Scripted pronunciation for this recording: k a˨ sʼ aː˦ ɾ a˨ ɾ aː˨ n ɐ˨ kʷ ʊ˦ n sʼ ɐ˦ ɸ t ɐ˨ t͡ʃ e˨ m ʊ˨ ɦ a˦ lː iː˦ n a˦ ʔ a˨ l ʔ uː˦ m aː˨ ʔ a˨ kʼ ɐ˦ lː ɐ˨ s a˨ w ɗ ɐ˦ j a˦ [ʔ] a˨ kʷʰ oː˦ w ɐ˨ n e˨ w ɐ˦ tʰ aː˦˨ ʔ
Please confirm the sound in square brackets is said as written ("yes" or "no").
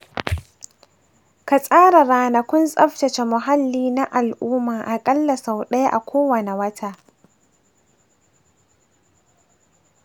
yes